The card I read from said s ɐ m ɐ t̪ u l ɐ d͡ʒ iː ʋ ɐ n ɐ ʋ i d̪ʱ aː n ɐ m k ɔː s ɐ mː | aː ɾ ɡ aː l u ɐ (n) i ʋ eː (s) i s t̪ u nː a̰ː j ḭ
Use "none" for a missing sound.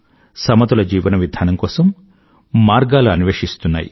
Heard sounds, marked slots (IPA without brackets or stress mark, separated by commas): n, ʂ